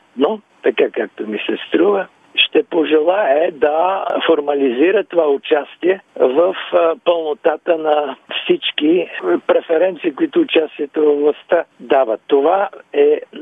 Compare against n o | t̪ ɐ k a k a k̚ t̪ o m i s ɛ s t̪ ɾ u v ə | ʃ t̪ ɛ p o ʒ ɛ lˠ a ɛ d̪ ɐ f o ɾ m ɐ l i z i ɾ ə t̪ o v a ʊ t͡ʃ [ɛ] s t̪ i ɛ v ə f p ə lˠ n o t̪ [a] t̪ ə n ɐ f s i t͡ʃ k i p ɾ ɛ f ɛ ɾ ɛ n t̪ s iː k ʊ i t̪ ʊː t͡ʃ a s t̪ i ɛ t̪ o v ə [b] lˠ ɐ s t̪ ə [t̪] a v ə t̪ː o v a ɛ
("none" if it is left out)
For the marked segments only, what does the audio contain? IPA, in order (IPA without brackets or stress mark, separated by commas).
a, a, v, d̪